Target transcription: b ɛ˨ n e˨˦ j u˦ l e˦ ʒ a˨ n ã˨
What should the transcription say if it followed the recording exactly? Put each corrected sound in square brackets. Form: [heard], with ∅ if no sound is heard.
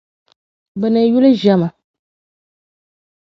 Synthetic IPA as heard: b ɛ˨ n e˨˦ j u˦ l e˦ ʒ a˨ [m] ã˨